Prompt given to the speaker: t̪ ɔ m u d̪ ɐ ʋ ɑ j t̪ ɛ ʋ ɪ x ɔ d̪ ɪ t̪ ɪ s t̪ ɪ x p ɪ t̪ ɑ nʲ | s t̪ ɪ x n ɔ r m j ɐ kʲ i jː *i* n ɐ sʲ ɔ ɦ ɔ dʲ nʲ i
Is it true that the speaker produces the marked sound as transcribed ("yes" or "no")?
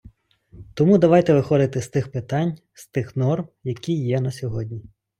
no